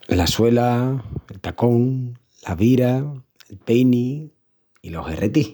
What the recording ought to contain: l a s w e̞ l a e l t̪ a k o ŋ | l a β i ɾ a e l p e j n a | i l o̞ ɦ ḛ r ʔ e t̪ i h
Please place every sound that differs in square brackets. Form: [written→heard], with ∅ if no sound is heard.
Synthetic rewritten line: l a s w e̞ l a e l t̪ a k o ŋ | l a β i ɾ a e l p e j n [a→i] | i l o̞ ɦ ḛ r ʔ e t̪ i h